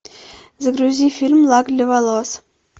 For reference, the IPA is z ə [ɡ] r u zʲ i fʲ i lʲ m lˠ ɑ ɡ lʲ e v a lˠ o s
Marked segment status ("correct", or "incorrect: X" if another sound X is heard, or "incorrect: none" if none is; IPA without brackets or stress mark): correct